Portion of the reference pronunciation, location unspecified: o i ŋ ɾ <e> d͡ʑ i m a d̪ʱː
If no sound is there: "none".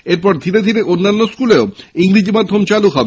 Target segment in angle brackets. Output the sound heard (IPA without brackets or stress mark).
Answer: i